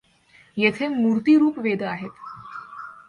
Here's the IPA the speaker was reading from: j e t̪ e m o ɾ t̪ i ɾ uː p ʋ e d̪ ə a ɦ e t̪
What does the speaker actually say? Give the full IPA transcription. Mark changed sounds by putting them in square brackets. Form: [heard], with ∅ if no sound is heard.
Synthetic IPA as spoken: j e [t̪ʰ] e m [u] ɾ t̪ i ɾ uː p ʋ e d̪ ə a ɦ e t̪